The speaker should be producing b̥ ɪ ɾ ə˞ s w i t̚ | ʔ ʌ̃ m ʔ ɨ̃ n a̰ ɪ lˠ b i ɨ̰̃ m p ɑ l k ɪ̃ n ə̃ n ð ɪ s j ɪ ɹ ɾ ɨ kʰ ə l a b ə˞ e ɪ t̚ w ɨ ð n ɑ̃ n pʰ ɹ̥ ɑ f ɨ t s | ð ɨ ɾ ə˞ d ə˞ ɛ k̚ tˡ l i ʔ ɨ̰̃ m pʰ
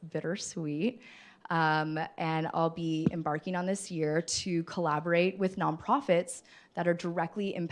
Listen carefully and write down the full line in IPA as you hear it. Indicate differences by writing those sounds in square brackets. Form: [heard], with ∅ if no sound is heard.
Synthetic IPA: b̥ ɪ ɾ ə˞ s w i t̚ | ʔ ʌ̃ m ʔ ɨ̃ n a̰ ɪ lˠ b i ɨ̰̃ m [b] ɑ [ɹ] k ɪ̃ [ŋ] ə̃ n ð ɪ s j ɪ ɹ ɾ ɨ kʰ ə l [æ] b ə˞ e ɪ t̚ w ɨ ð n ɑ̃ n pʰ ɹ̥ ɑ f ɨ t s | ð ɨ ɾ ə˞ d ə˞ ɛ k̚ tˡ l i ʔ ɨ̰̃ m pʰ